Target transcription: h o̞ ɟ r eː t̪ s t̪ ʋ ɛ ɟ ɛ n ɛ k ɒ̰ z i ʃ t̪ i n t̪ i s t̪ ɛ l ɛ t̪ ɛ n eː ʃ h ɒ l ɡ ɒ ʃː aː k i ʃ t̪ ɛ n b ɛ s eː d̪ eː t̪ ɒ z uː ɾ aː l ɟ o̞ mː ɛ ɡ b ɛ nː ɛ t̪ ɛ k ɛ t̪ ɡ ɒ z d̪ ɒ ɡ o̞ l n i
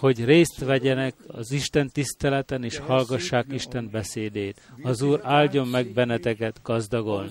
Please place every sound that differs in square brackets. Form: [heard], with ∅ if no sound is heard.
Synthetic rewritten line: h o̞ ɟ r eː [∅] s t̪ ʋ ɛ ɟ ɛ n ɛ k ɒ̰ z i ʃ t̪ [ɛ] n t̪ i s t̪ ɛ l ɛ t̪ ɛ n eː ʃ h ɒ l ɡ ɒ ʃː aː k i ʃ t̪ ɛ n b ɛ s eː d̪ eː t̪ ɒ z uː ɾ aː l ɟ o̞ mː ɛ ɡ b ɛ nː ɛ t̪ ɛ k ɛ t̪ ɡ ɒ z d̪ ɒ ɡ o̞ l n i